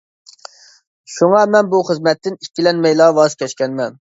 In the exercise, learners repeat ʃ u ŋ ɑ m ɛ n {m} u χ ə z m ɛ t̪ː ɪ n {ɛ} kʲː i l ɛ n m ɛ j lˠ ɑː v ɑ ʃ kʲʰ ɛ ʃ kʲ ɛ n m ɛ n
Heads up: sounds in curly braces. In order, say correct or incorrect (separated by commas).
incorrect, incorrect